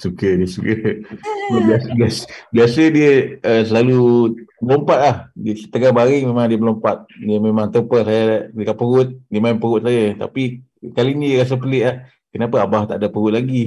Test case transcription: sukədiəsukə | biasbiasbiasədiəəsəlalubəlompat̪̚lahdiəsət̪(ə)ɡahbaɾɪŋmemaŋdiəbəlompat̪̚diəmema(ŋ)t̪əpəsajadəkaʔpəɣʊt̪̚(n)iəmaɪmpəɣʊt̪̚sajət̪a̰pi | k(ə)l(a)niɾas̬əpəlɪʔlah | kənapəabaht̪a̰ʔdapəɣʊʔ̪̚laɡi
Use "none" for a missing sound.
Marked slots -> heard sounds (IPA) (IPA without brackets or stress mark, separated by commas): ə, ŋ, d, a, i